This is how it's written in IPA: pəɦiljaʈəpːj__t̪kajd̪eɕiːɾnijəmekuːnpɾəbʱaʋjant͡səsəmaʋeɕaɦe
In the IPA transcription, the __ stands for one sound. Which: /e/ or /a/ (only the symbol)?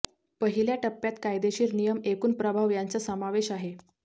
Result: a